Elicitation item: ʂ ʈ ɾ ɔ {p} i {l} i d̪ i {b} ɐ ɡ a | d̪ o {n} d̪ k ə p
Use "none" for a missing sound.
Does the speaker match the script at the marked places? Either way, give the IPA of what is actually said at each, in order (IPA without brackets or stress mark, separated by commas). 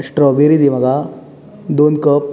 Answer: b, ɾ, m, n